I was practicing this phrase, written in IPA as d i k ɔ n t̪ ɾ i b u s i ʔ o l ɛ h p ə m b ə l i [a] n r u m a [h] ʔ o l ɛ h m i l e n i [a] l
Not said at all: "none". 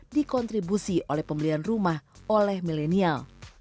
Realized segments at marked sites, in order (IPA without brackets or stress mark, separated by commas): a, h, a